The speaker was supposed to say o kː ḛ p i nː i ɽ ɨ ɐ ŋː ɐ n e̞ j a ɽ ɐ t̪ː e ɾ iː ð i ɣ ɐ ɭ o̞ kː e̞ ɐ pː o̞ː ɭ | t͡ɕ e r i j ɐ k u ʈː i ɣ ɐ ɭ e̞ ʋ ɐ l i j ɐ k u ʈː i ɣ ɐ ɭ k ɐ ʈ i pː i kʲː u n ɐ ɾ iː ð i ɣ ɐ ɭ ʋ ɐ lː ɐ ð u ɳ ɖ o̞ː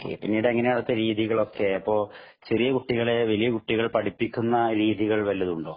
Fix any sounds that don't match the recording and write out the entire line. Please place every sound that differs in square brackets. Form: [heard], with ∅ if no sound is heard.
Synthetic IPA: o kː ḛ p i nː i ɽ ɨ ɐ ŋː ɐ n e̞ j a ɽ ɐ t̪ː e ɾ iː ð i ɣ ɐ ɭ o̞ kː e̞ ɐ pː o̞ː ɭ | t͡ɕ e r i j ɐ k u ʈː i ɣ ɐ ɭ e̞ ʋ ɐ l i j ɐ k u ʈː i ɣ ɐ ɭ [p] ɐ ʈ i pː i kʲː u [nː] ɐ ɾ iː ð i ɣ ɐ ɭ ʋ ɐ lː ɐ ð u ɳ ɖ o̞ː